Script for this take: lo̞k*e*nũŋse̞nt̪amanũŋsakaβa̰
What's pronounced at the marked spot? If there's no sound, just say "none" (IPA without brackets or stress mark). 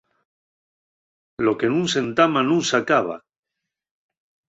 e